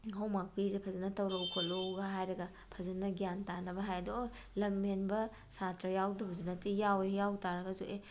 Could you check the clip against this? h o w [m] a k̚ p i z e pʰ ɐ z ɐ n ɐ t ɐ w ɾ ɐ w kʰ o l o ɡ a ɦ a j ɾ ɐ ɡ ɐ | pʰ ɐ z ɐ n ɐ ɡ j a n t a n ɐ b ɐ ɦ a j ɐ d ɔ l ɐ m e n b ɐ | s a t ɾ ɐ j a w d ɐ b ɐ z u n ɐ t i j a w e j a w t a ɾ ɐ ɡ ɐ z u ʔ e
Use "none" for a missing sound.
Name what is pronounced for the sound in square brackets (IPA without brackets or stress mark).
m